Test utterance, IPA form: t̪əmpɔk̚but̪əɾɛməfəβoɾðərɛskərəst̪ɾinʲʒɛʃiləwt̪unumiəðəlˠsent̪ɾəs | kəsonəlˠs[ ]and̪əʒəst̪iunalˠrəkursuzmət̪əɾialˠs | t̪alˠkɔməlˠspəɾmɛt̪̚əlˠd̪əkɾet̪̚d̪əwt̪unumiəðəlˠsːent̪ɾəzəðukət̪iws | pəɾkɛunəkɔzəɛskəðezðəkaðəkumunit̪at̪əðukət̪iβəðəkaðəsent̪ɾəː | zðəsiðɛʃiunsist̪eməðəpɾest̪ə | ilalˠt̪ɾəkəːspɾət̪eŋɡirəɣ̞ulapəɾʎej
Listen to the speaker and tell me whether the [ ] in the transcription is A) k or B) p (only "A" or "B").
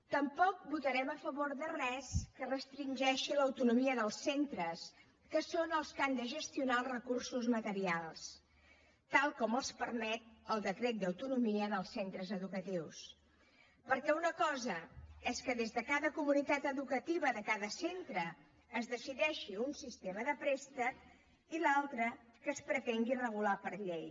A